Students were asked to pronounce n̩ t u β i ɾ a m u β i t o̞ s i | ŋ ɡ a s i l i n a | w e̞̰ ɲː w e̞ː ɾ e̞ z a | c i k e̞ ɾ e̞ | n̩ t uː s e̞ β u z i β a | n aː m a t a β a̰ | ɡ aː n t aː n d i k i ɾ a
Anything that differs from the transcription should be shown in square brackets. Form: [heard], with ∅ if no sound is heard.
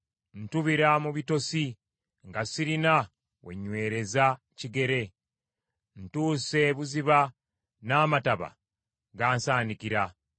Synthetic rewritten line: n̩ t u β i ɾ a m u β i t o̞ s i | ŋ ɡ a s i [ɾ] i n a | w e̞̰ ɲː w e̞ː ɾ e̞ z a | c i [ɡ] e̞ ɾ e̞ | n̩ t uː s e̞ β u z i β a | n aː m a t a β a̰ | ɡ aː n [s] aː n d i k i ɾ a